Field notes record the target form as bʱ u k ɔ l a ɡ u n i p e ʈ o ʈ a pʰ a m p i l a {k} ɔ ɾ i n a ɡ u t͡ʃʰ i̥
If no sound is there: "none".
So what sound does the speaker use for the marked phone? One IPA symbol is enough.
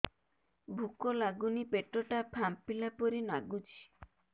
p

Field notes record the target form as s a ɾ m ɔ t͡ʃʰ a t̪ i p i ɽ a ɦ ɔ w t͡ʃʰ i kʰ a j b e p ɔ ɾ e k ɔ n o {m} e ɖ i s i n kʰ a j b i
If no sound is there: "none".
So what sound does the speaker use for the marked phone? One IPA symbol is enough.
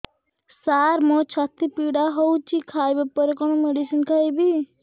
m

